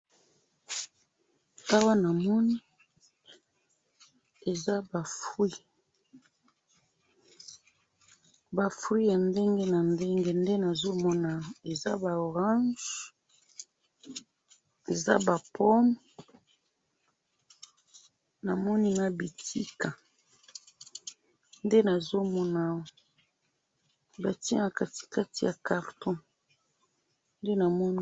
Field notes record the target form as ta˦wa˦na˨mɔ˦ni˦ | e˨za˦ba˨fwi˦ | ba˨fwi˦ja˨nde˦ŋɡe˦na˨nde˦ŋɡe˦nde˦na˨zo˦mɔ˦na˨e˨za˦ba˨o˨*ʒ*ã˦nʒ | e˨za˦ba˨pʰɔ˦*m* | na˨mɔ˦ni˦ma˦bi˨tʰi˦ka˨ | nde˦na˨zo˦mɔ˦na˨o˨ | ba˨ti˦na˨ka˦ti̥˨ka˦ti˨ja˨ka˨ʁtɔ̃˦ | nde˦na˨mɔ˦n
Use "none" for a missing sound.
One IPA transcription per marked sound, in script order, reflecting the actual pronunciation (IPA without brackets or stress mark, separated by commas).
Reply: ʁ, m